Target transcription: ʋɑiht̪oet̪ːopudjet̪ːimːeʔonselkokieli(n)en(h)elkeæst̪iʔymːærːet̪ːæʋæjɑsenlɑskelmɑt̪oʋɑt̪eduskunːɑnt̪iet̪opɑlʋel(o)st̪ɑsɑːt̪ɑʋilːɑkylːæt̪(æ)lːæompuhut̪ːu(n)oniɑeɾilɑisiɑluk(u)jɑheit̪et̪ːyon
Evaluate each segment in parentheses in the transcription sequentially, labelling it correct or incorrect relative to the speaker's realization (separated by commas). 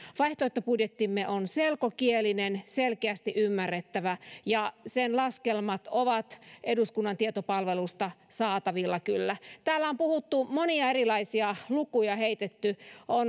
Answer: correct, incorrect, incorrect, incorrect, incorrect, correct